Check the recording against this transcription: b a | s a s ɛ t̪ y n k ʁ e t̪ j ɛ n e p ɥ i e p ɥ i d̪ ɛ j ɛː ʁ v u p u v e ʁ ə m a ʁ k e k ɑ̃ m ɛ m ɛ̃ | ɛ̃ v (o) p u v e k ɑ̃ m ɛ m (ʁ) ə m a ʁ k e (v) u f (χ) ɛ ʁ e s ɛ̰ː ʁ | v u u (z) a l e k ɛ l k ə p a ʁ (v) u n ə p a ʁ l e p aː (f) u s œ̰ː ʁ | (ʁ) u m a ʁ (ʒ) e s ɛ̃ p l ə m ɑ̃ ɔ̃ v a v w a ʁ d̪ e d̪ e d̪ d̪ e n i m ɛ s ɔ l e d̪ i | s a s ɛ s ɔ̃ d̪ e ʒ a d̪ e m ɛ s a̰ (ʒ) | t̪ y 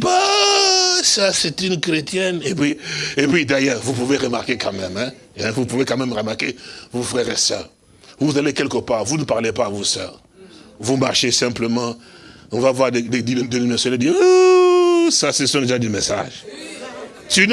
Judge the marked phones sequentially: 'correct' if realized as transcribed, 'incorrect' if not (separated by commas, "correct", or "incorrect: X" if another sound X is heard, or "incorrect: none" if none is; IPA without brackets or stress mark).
incorrect: u, correct, correct, incorrect: ʁ, correct, correct, incorrect: v, incorrect: v, incorrect: ʃ, correct